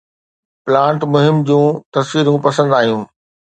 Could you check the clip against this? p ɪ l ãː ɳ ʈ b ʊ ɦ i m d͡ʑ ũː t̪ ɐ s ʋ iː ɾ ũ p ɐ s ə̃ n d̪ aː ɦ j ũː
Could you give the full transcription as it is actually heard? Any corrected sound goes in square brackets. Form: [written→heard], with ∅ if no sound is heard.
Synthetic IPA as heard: p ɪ l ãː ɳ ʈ [b→m] ʊ ɦ [i→ɪ] m d͡ʑ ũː t̪ ɐ s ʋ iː ɾ ũ p ɐ s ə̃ n d̪ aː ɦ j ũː